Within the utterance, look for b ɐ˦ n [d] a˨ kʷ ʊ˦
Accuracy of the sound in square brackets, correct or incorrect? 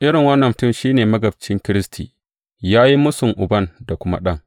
correct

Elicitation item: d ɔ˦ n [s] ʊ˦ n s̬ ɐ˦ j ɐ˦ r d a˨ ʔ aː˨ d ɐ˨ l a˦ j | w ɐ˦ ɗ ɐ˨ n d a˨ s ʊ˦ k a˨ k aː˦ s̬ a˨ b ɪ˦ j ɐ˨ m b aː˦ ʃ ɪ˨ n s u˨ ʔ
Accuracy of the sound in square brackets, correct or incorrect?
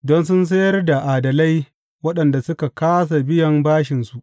correct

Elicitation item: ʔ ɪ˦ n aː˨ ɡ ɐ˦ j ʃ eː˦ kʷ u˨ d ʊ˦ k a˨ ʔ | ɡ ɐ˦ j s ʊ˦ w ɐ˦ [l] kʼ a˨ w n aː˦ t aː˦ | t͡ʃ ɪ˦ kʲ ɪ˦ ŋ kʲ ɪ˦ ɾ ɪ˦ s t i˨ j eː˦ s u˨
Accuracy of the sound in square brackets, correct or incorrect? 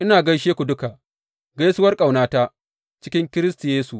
incorrect: r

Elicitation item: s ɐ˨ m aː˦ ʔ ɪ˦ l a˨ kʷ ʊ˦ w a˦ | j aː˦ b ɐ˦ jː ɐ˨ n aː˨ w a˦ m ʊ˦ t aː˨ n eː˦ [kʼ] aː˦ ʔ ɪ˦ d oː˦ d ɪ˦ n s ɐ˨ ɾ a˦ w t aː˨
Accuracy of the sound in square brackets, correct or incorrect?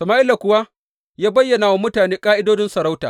correct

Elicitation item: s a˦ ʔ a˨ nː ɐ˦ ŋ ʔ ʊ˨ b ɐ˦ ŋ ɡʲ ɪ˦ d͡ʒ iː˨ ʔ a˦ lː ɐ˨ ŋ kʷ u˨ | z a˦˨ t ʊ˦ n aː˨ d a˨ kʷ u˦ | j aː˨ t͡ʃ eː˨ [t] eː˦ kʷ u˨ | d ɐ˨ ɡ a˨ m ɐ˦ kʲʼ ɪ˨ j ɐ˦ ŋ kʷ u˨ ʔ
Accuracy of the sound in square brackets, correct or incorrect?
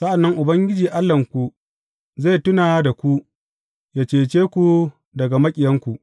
incorrect: t͡ʃ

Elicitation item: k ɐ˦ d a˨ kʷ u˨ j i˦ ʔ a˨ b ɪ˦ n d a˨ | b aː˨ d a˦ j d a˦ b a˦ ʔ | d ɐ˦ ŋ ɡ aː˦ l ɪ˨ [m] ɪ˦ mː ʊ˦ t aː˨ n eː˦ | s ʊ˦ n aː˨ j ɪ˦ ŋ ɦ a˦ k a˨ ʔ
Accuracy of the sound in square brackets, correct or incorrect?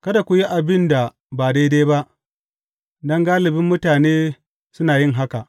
incorrect: b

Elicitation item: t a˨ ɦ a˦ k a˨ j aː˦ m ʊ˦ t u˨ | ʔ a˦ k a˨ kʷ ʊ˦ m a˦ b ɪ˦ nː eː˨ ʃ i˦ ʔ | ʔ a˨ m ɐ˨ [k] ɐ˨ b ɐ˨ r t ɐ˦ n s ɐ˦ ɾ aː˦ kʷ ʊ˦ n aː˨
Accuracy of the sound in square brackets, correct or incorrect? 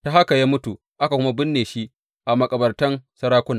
incorrect: kʼ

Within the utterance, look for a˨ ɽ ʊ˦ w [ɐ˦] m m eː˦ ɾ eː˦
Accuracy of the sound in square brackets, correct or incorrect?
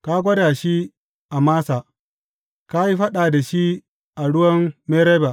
correct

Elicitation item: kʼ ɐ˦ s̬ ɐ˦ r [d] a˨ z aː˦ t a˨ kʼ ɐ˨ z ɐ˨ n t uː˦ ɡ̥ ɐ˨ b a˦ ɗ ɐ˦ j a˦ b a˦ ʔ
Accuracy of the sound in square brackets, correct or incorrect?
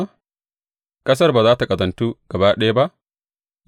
incorrect: b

